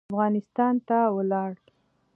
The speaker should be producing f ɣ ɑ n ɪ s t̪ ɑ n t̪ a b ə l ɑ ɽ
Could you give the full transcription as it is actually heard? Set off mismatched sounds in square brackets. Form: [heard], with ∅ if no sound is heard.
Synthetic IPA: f ɣ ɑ n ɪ s t̪ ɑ n t̪ a [w] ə l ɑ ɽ